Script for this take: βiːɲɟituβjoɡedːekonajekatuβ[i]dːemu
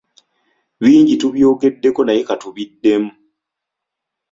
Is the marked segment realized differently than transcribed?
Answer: no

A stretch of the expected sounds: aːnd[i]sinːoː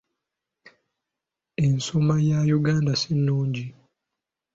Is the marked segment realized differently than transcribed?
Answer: yes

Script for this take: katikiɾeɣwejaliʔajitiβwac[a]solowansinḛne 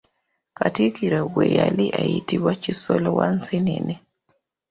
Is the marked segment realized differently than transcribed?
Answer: yes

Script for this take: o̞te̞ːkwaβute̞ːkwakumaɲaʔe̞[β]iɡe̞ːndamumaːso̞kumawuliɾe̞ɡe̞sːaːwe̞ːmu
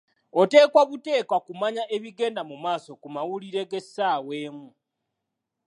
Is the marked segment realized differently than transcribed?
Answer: no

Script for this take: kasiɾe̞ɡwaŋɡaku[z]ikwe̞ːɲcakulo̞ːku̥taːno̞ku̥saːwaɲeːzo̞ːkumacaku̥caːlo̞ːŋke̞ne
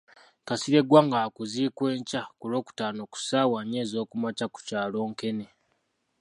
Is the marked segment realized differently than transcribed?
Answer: no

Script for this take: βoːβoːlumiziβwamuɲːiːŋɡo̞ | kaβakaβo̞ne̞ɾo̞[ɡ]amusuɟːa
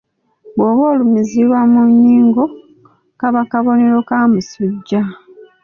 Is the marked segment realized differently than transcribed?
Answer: yes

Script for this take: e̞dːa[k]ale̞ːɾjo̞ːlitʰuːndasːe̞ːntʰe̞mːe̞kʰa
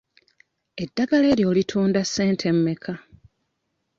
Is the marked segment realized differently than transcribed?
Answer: yes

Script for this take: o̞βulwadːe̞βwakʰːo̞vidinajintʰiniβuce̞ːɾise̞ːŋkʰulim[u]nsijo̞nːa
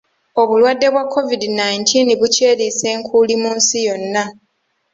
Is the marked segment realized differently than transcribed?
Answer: yes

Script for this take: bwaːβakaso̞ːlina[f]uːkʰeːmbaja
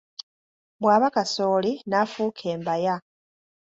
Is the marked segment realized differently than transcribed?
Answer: no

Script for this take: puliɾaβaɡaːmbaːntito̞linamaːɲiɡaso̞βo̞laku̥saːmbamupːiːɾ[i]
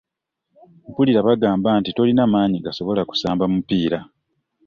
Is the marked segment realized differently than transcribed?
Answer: yes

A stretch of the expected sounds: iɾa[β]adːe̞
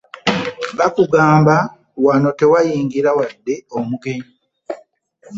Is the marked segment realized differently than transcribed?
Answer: yes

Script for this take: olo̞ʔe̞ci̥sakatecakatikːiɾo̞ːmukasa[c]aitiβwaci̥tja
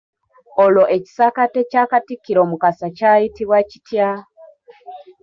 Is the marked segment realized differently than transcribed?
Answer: no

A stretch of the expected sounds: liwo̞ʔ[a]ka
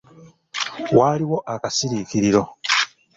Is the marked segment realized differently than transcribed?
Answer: no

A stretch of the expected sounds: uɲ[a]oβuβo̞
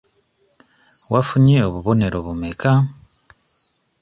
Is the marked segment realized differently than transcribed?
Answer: yes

